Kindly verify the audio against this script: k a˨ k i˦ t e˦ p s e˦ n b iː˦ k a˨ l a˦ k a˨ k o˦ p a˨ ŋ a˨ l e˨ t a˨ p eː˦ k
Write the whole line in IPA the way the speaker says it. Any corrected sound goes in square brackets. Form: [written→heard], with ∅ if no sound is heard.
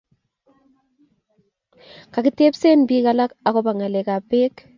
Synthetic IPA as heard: k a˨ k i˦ t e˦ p s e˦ n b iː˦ k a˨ l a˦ k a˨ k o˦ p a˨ ŋ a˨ l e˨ [t→k] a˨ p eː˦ k